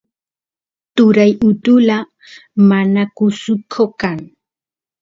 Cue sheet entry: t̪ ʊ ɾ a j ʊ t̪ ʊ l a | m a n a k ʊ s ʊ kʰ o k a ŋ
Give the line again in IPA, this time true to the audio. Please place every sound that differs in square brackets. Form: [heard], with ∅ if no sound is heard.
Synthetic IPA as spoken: t̪ ʊ ɾ a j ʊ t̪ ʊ l a | m a n a k ʊ s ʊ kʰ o k a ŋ